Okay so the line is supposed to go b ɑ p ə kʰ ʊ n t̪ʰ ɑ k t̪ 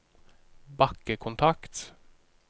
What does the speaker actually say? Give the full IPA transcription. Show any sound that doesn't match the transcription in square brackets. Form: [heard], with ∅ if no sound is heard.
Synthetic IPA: b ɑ [k] ə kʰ ʊ n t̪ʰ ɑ k t̪